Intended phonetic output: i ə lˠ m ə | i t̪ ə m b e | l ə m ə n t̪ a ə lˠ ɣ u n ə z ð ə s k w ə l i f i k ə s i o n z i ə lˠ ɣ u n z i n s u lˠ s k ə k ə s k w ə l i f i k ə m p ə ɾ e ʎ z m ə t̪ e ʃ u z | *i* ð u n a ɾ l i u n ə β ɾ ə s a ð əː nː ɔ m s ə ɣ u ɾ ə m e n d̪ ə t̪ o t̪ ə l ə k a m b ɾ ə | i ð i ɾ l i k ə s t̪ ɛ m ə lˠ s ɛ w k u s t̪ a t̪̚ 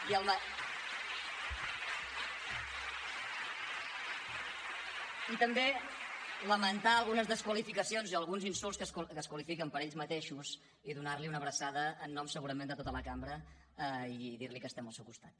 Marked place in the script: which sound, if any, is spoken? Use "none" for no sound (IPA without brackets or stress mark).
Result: i